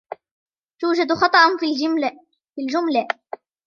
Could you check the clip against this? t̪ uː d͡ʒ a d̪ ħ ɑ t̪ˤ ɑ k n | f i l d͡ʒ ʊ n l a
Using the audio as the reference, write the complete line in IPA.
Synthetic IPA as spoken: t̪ uː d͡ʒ a d̪ x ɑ t̪ˤ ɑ ʔ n | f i l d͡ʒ ʊ m l a

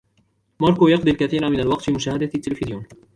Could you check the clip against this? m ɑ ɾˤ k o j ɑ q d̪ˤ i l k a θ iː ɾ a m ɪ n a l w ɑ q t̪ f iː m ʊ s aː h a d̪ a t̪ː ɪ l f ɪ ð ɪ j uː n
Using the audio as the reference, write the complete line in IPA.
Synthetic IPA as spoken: m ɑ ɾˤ k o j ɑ q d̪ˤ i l k a θ iː ɾ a m ɪ n a l w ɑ q t̪ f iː m ʊ ʃ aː h a d̪ a t̪ː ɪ l f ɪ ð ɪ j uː n

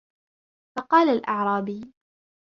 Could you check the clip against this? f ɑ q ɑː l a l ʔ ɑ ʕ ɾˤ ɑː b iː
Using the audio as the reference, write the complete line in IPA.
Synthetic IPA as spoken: f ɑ q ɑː l a l ʔ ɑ ʕ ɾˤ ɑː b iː

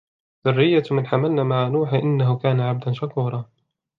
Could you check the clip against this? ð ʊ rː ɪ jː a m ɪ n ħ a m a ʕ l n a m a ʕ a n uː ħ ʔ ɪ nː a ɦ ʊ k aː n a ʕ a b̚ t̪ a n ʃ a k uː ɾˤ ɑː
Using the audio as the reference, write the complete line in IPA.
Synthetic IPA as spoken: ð ʊ rː ɪ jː a m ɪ n ħ a m a l n a m a ʕ a n uː ħ ʔ ɪ nː a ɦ ʊ k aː n a ʕ a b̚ d̪ a n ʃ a k uː ɾˤ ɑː

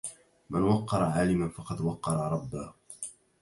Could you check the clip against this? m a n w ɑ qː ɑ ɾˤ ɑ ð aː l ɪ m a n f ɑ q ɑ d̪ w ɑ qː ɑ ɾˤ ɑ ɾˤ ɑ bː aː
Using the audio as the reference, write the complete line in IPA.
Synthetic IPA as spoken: m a n w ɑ qː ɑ ɾˤ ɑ ʕ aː l ɪ m a n f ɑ q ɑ d̪ w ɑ qː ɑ ɾˤ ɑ ɾˤ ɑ bː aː

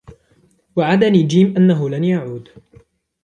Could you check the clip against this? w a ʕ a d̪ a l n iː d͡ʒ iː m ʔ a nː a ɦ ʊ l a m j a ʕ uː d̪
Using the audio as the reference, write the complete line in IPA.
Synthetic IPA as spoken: w a ʕ a d̪ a n iː d͡ʒ iː m ʔ a nː a ɦ ʊ l a n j a ʕ uː d̪

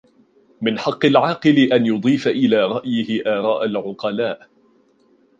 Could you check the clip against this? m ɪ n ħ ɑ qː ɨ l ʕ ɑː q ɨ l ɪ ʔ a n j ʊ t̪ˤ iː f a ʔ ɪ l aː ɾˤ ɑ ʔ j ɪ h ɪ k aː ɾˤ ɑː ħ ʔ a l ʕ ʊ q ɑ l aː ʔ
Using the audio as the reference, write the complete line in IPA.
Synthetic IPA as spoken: m ɪ n ħ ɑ qː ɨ l ʕ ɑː q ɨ l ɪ ʔ a n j ʊ d̪ˤ iː f a ʔ ɪ l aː ɾˤ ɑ ʔ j ɪ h ɪ ʔ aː ɾˤ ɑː ʔ a l ʕ ʊ q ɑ l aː ʔ

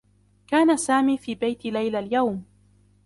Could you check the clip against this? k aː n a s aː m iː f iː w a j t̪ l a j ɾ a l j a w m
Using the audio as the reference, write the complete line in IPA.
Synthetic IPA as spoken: k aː n a s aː m iː f iː b a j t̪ l a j l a l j a w m

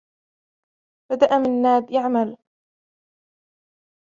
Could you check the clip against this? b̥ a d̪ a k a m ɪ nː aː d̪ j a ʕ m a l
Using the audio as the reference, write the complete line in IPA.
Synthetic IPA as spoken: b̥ a d̪ a ʔ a m ɪ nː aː d̪ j a ʕ m a l

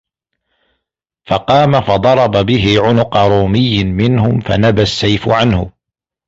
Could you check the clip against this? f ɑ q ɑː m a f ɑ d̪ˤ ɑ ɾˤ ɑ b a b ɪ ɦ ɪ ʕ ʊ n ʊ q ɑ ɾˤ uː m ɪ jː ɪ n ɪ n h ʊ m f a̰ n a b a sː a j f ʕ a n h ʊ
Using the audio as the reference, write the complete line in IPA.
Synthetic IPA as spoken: f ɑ q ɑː m a f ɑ d̪ˤ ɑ ɾˤ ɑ b a b ɪ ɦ ɪ ʕ ʊ n ʊ q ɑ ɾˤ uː m ɪ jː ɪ m ɪ n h ʊ m f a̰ n a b a sː a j f ʕ a n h ʊ

